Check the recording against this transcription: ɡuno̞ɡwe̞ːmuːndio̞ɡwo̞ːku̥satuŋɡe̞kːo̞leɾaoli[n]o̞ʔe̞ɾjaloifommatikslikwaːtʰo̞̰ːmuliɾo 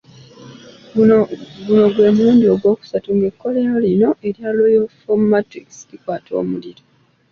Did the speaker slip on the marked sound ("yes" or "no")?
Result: no